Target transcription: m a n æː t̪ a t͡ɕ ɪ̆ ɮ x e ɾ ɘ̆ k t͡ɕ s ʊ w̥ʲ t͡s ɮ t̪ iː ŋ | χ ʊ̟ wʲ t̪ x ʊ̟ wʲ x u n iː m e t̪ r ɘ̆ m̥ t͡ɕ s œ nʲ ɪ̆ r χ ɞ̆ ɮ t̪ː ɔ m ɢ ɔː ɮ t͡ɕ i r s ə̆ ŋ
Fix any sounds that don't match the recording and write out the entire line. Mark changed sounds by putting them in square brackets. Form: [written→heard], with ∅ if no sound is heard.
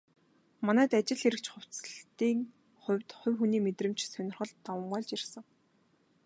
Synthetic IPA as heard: m a n æː t̪ a t͡ɕ ɪ̆ ɮ x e ɾ ɘ̆ k t͡ɕ [s→χ] ʊ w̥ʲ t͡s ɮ t̪ iː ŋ | χ ʊ̟ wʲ t̪ [x→χ] ʊ̟ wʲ x u n iː m e t̪ r ɘ̆ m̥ t͡ɕ s œ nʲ ɪ̆ r χ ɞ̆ ɮ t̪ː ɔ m ɢ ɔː ɮ t͡ɕ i r s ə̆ ŋ